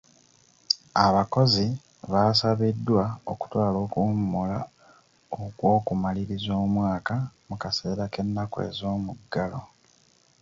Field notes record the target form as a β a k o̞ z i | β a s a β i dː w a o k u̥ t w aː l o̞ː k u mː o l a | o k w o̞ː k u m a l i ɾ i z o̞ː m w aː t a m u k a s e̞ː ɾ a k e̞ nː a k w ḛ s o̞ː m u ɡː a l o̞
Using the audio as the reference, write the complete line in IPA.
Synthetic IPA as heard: a β a k o̞ z i | β a s a β i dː w a o k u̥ t w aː l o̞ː k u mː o l a | o k w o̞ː k u m a l i ɾ i z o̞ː m w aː k a m u k a s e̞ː ɾ a k e̞ nː a k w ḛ z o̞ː m u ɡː a l o̞